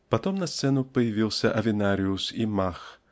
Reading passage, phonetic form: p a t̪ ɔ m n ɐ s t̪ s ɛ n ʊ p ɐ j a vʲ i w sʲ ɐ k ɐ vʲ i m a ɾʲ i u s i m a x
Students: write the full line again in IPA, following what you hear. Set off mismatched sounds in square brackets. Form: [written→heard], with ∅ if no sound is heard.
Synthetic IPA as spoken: p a t̪ ɔ m n ɐ s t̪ s ɛ n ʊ p ɐ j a vʲ i w sʲ ɐ [k→ʔ] ɐ vʲ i [m→n] a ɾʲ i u s i m a x